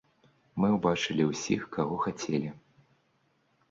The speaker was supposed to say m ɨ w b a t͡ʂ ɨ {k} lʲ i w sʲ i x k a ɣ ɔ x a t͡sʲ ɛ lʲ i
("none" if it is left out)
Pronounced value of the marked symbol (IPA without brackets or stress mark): none